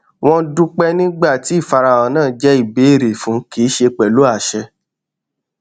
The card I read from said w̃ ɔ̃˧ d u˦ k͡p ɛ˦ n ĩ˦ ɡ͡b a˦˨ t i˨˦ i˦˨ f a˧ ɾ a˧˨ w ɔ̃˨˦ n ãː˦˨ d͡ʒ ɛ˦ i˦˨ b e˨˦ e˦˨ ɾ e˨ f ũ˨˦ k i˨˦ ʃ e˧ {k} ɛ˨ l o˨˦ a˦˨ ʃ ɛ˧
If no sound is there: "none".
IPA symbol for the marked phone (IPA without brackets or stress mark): k͡p